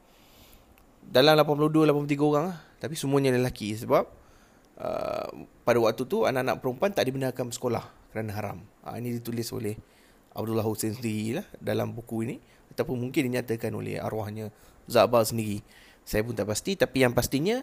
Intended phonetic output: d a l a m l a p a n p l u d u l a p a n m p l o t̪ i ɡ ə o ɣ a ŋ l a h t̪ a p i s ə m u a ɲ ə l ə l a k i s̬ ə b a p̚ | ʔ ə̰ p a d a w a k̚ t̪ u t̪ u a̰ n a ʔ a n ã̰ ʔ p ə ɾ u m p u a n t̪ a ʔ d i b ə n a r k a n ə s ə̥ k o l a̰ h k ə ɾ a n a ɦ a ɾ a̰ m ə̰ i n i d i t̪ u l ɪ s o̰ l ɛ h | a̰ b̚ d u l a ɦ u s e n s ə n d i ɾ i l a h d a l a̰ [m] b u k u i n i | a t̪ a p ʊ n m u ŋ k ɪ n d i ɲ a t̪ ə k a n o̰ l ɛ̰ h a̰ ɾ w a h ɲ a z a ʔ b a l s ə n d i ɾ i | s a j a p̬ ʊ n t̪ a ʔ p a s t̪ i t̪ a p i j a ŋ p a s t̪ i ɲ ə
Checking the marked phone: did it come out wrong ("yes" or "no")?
no